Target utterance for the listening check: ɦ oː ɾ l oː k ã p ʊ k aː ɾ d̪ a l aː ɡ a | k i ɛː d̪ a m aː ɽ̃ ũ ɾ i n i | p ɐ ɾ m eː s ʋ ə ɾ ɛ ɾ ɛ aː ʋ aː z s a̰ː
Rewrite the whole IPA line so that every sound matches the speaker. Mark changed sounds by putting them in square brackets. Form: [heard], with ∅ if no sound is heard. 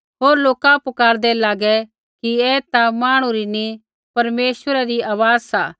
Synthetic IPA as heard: ɦ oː ɾ l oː k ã p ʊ k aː ɾ d̪ [ɛ] l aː ɡ [ɛ] | k i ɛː [t̪] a m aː ɽ̃ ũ ɾ i n i | p ɐ ɾ m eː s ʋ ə ɾ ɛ ɾ [i] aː ʋ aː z s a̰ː